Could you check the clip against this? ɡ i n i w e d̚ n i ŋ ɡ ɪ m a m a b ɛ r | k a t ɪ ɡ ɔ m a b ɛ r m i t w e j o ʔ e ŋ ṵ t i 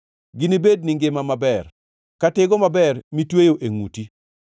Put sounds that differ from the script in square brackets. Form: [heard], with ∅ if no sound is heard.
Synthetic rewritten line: ɡ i n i [b] e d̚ n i ŋ ɡ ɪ m a m a b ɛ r | k a t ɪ ɡ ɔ m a b ɛ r m i t w e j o ʔ e ŋ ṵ t i